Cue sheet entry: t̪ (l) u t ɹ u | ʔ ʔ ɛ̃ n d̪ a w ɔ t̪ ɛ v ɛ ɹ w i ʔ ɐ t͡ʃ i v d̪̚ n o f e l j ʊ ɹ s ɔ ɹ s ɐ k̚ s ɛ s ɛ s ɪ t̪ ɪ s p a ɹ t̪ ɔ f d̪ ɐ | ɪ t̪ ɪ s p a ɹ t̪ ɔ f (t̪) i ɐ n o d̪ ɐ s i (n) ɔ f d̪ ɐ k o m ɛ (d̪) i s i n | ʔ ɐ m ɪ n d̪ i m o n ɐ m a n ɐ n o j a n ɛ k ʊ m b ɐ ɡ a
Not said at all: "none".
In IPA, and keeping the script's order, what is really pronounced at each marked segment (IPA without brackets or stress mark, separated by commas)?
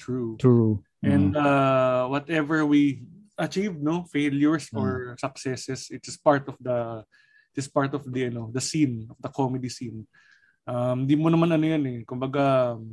ɹ, d̪, n, d̪